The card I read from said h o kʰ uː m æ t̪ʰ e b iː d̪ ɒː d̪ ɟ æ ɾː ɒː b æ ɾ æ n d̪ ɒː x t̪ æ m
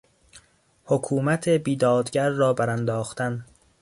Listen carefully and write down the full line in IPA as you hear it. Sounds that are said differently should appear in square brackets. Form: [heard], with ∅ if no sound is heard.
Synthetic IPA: h o kʰ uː m æ t̪ʰ e b iː d̪ ɒː d̪ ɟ æ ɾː ɒː b æ ɾ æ n d̪ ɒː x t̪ æ [n]